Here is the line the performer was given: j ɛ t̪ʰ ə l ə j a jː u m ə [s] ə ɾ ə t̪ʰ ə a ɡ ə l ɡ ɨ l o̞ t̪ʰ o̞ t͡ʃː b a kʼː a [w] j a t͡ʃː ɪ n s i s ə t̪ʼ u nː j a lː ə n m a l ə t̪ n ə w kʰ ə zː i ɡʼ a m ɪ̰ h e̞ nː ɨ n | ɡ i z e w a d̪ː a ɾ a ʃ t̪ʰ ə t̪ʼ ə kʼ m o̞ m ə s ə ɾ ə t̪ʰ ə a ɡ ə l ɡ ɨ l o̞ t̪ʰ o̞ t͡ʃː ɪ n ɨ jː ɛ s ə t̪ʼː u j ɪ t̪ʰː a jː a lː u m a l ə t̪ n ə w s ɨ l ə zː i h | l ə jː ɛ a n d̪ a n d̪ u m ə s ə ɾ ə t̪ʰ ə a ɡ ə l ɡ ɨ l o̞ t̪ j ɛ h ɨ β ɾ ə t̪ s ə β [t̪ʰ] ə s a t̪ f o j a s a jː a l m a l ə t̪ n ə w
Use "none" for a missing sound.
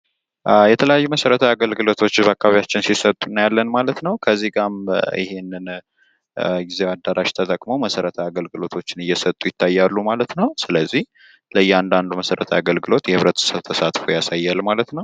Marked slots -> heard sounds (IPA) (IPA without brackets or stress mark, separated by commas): s, β, t̪ʰ